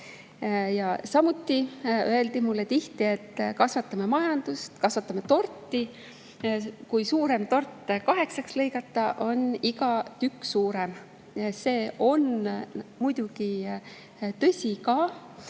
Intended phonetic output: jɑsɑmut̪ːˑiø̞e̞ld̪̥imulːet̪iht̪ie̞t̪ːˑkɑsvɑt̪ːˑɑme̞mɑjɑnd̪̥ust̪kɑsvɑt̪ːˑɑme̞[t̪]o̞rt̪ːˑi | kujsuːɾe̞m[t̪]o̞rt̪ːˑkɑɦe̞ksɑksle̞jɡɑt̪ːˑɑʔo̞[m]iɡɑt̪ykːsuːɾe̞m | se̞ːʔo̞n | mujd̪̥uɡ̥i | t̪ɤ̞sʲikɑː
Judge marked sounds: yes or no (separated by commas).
yes, yes, no